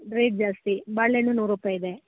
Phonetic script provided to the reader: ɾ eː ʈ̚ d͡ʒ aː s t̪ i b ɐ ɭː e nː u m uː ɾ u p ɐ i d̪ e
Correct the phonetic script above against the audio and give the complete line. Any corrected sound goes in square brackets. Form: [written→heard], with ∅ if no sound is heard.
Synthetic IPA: ɾ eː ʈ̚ d͡ʒ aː s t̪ i b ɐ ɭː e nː u [m→n] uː ɾ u p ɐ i d̪ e